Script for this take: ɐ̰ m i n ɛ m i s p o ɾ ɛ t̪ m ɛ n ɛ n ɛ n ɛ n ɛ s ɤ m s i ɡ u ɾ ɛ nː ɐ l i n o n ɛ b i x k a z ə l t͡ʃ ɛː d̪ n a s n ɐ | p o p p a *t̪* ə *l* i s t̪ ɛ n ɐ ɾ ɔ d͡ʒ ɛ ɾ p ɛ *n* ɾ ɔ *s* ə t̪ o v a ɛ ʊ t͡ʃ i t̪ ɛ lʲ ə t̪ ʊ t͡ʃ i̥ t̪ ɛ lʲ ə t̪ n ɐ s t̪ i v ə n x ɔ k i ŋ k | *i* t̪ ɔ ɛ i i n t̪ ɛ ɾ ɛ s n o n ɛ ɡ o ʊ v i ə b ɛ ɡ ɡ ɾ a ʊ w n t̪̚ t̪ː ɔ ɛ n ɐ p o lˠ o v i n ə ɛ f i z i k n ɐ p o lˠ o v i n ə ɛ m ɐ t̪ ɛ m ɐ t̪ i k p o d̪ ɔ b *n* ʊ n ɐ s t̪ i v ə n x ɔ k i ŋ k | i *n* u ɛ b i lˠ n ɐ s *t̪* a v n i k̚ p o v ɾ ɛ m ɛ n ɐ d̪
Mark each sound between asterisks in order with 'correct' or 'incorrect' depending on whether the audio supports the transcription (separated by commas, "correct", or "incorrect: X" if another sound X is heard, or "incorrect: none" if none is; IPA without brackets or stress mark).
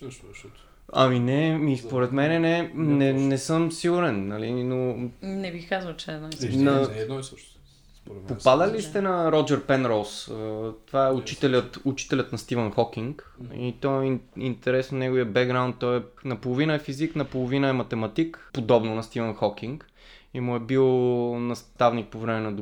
incorrect: d̪, correct, correct, correct, correct, correct, incorrect: m, correct